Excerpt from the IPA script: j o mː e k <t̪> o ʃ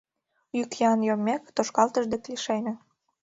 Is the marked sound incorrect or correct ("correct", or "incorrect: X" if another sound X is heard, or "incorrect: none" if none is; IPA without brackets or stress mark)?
correct